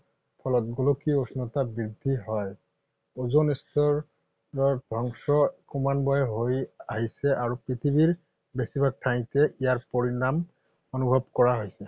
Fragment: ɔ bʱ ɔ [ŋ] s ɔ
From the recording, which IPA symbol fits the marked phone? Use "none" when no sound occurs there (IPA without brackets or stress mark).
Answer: ŋ